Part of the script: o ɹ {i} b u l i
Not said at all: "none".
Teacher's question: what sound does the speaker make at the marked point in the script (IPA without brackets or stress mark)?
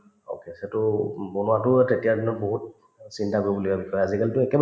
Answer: i